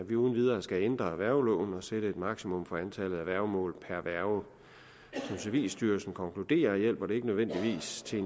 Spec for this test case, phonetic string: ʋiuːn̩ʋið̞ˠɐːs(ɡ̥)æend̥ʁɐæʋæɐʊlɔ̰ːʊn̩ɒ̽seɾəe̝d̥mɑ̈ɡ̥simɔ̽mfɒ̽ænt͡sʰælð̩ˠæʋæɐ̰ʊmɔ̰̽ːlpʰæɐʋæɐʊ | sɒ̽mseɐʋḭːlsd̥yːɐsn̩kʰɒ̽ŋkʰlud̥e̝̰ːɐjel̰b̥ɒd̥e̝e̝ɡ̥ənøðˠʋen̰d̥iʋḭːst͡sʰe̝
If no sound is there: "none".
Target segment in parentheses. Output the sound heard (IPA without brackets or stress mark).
ɡ̥